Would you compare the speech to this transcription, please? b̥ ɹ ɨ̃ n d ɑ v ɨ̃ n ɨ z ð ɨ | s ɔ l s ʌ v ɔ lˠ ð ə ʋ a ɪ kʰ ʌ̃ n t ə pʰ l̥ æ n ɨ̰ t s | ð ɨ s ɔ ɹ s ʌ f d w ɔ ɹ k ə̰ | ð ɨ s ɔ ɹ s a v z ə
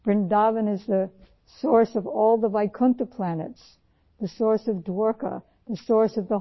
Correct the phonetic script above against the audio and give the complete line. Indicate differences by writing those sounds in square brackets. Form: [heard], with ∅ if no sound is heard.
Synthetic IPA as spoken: b̥ ɹ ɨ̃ n d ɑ v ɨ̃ n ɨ z ð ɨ | s ɔ [ɹ] s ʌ v ɔ lˠ ð ə [v] a ɪ kʰ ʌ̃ n t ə pʰ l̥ æ n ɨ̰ t s | ð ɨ s ɔ ɹ s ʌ [v] d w ɔ ɹ k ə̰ | ð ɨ s ɔ ɹ s [ʌ] v [ð] ə